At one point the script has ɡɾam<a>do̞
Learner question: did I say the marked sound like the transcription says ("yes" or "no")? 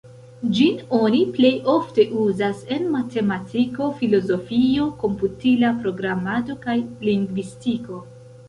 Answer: yes